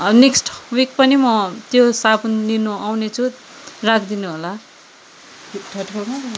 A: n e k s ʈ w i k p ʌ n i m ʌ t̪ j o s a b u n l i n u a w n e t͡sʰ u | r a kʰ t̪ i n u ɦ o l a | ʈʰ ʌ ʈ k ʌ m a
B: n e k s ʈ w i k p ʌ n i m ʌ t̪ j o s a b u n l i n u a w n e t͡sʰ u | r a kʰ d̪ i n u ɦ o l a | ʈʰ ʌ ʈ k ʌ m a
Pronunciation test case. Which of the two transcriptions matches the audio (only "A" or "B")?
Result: B